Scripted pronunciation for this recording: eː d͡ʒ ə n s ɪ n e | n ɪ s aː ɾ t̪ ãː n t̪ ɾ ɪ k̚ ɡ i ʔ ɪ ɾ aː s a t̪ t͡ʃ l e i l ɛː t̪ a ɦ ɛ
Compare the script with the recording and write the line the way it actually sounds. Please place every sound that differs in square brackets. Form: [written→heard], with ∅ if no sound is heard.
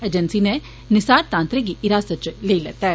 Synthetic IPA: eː d͡ʒ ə n s [ɪ→i] n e | n ɪ s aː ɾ t̪ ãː n t̪ ɾ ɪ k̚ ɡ i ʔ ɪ ɾ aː s [a→ə] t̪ t͡ʃ l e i l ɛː t̪ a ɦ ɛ